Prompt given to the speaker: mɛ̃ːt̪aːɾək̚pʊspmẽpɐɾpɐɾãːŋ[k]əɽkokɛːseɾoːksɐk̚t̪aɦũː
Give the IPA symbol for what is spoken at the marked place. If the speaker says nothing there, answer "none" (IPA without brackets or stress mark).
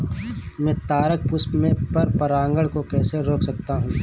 ɡ